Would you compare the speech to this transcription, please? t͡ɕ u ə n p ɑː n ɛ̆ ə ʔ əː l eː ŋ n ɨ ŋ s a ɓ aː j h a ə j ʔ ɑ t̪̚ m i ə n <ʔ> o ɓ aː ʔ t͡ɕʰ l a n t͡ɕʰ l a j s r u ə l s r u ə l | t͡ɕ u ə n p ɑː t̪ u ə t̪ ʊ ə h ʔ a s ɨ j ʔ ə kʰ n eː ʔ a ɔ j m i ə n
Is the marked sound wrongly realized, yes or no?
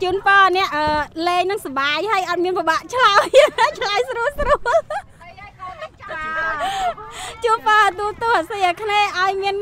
yes